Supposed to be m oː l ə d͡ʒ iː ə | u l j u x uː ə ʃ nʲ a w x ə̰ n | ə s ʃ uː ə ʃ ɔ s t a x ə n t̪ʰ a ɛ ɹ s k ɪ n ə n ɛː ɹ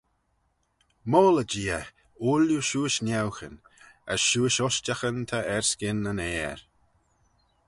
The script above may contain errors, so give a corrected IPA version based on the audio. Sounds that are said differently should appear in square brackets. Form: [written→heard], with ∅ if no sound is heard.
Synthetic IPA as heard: m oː l ə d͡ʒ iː ə | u l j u [x→ʃ] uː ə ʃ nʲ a w x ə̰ n | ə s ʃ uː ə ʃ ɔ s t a x ə n t̪ʰ a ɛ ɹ s k ɪ n ə n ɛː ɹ